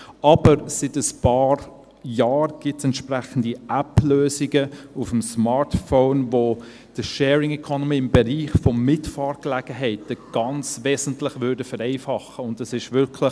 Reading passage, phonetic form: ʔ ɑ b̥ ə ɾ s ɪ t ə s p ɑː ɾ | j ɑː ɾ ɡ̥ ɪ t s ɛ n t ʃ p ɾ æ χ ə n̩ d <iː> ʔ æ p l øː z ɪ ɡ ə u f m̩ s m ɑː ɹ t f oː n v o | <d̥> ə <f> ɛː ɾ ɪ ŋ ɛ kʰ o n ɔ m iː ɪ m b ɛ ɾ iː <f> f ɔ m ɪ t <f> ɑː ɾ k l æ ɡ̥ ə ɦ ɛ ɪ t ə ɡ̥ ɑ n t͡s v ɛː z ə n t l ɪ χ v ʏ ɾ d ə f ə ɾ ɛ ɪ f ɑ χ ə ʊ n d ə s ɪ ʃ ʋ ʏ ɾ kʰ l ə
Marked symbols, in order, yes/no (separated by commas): no, yes, no, no, yes